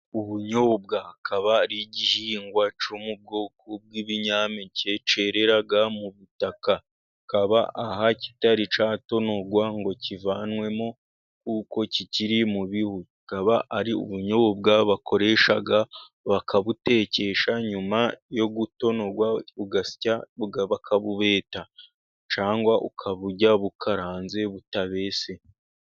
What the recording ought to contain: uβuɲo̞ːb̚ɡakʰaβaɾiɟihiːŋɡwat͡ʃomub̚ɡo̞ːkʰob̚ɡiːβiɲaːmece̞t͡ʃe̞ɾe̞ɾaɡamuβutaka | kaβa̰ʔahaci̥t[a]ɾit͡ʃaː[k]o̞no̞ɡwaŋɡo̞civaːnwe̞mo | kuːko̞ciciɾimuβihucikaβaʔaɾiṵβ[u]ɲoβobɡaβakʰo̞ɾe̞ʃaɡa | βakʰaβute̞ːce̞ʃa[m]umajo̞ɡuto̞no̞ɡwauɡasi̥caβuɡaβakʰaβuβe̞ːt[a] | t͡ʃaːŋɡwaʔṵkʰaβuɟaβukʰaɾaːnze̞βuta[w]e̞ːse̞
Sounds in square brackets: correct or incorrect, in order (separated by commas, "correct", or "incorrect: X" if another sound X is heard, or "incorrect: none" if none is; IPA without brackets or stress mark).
correct, incorrect: t, correct, incorrect: ɲ, correct, incorrect: β